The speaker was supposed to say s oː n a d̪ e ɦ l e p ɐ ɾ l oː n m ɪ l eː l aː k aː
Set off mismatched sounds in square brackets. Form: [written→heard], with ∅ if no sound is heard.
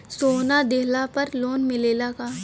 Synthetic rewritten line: s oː n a d̪ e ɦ l [e→a] p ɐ ɾ l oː n m ɪ l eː l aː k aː